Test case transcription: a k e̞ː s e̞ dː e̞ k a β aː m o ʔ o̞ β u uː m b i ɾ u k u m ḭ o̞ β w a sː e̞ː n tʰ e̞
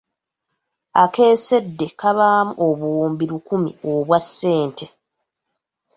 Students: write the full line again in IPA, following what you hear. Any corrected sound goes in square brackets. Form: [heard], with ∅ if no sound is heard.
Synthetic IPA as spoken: a k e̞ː s e̞ dː e̞ k a β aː m [u] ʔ o̞ β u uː m b i ɾ u k u m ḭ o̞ β w a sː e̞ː n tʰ e̞